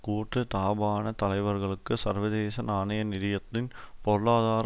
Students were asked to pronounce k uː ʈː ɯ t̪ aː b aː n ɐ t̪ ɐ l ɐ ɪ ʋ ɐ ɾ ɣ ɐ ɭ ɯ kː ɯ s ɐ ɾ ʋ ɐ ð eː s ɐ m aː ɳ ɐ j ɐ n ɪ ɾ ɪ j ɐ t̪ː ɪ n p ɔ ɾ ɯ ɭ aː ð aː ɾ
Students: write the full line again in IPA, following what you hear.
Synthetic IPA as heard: k uː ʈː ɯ t̪ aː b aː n ɐ t̪ ɐ l ɐ ɪ ʋ ɐ ɾ ɣ ɐ ɭ ɯ kː ɯ s ɐ ɾ ʋ ɐ ð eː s ɐ n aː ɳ ɐ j ɐ n ɪ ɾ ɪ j ɐ t̪ː ɪ n p ɔ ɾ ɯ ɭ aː ð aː ɾ